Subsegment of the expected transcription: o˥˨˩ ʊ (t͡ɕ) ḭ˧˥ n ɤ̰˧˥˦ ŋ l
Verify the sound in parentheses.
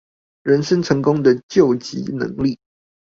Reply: correct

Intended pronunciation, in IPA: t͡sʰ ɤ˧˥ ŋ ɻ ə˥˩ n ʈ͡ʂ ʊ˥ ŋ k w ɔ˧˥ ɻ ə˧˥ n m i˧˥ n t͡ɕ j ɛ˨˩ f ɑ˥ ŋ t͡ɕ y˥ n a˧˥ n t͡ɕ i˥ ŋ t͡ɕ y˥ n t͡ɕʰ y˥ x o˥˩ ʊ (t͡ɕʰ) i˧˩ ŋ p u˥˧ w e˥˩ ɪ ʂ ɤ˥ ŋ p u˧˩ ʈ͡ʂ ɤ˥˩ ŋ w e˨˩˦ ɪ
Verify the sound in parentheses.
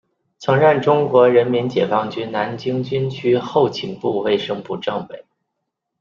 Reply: correct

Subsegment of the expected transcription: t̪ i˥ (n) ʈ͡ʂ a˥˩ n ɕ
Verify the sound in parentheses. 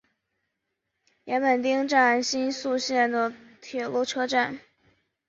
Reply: incorrect: ŋ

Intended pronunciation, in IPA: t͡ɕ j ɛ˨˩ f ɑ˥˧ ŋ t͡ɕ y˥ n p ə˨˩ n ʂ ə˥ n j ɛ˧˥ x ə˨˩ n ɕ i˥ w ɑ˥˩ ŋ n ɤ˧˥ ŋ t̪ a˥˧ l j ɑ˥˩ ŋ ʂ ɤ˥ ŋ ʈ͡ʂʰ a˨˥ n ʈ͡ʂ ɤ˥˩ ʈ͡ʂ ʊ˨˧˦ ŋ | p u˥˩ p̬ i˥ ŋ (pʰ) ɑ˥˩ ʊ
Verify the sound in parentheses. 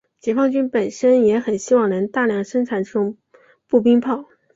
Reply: correct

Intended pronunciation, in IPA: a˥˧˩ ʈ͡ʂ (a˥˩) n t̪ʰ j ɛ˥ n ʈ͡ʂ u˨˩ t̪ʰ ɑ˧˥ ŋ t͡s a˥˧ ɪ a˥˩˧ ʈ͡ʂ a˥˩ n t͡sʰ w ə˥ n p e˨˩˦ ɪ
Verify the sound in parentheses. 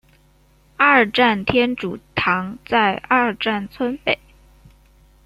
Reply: correct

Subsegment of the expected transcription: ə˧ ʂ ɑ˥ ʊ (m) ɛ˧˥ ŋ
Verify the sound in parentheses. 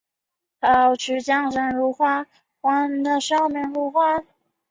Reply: correct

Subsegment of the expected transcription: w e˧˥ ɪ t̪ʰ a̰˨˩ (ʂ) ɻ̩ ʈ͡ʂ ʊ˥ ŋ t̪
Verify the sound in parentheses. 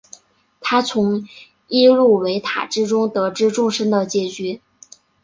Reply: incorrect: ʈ͡ʂ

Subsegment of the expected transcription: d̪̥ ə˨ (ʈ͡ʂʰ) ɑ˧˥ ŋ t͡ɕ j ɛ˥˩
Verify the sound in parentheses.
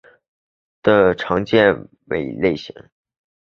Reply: correct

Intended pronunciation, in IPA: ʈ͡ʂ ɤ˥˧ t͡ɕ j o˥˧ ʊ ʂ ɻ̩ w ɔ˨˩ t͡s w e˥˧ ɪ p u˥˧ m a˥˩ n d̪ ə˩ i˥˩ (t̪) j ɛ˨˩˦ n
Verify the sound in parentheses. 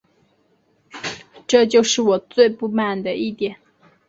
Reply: correct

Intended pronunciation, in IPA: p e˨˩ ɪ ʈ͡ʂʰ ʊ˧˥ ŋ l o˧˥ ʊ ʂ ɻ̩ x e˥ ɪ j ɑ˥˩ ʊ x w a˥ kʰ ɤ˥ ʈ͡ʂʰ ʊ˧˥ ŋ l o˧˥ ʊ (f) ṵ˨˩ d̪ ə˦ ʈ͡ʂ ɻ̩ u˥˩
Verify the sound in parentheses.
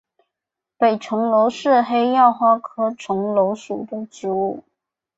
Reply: incorrect: ʂ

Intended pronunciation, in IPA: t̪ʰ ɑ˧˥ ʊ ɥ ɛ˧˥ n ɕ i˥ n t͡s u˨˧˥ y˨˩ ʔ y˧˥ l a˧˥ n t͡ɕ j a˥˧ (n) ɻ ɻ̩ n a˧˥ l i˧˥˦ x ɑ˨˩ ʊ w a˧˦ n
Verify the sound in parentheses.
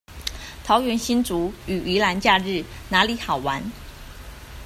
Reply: incorrect: none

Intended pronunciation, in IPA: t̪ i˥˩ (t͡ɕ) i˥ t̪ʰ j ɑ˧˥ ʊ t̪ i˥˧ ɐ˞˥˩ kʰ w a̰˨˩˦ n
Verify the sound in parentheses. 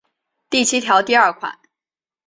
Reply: incorrect: t͡ɕʰ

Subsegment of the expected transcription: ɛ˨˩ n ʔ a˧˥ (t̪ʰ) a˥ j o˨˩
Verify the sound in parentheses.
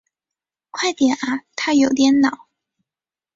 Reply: correct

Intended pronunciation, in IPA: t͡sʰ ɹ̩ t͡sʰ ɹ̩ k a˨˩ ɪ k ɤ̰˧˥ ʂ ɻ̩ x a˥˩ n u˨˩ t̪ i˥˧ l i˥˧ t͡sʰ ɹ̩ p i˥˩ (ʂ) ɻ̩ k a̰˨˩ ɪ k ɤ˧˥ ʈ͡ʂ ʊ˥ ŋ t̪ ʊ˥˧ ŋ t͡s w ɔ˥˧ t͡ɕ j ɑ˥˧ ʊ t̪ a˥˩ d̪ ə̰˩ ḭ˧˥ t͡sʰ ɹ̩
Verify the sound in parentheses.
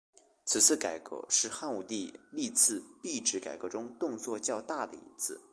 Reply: incorrect: ʈ͡ʂ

